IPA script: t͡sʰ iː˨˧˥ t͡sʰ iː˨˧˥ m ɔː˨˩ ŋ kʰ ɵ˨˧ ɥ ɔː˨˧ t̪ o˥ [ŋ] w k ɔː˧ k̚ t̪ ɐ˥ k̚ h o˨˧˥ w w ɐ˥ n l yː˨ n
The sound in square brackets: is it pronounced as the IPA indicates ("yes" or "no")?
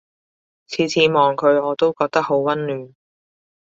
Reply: no